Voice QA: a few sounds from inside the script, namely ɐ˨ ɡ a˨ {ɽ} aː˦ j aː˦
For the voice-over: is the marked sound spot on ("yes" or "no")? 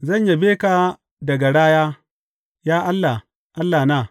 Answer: yes